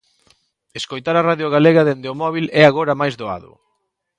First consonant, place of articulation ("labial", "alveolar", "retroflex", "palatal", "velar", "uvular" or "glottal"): alveolar